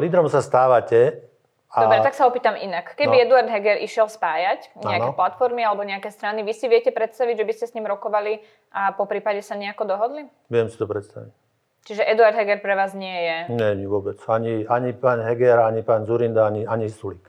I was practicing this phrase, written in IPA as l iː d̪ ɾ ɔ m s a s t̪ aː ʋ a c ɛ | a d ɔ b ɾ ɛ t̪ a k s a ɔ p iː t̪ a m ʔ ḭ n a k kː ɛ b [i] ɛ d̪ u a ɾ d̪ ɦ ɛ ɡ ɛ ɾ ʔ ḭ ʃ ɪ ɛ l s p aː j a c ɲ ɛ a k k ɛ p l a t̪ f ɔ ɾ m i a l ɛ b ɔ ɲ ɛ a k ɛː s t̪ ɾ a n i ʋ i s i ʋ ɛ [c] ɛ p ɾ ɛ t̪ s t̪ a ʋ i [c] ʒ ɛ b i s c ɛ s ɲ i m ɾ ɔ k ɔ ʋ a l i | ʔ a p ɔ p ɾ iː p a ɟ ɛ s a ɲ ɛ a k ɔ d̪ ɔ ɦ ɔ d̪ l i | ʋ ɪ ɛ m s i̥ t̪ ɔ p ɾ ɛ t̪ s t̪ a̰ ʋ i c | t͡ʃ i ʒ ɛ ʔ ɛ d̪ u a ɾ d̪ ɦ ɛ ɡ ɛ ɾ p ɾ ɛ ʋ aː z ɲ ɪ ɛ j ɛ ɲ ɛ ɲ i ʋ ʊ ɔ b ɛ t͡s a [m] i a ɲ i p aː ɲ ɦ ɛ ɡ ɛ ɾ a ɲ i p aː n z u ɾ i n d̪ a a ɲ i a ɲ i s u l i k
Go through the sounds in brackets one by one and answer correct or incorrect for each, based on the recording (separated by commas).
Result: correct, correct, incorrect, incorrect